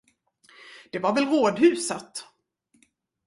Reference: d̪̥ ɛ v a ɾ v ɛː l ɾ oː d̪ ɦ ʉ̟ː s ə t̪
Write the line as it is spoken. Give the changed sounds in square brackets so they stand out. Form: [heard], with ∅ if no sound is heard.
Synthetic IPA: d̪̥ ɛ v a ɾ v [ɛ] l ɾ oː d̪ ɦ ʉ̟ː s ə t̪